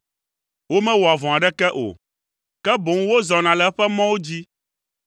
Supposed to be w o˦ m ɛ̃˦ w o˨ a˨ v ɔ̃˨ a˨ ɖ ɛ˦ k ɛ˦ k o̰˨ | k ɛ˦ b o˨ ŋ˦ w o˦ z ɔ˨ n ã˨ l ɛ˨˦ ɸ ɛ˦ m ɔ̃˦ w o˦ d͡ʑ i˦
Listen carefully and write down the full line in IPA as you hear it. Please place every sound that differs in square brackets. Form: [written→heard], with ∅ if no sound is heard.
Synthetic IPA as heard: w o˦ m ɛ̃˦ w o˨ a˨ v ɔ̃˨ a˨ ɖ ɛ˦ k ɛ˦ [k→ʔ] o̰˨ | k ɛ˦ b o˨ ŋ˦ w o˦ z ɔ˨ n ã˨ l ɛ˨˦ ɸ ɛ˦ m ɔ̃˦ w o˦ d͡ʑ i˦